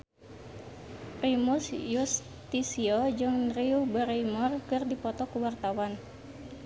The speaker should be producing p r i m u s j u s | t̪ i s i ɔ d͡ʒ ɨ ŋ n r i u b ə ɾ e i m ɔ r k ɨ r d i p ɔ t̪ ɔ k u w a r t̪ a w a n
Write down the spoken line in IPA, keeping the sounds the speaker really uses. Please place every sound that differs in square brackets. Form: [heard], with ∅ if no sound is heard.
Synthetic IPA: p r i m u s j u s | t̪ i s i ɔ d͡ʒ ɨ ŋ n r i u b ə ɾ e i m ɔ r k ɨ r d i p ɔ t̪ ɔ k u w a r t̪ a w a n